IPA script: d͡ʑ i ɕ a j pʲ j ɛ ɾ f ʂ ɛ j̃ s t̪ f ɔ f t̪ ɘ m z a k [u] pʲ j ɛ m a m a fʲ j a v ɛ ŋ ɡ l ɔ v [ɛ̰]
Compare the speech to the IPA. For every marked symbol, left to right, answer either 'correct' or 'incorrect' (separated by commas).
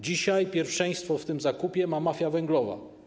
correct, incorrect